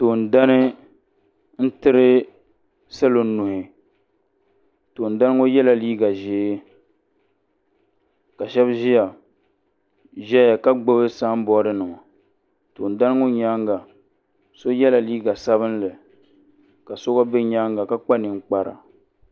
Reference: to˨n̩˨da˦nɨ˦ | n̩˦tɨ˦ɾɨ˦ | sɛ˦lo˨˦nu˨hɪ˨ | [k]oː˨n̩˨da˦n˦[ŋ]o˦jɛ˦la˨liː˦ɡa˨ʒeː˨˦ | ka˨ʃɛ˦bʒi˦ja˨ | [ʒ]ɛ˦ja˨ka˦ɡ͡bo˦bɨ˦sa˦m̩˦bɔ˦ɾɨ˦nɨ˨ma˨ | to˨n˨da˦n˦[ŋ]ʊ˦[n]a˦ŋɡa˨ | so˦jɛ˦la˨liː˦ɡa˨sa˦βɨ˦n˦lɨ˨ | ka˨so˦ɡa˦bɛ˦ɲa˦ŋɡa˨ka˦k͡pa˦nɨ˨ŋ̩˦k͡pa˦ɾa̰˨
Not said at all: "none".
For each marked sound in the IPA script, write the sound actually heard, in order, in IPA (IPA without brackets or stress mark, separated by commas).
t, ŋ, ʒ, ŋ, ɲ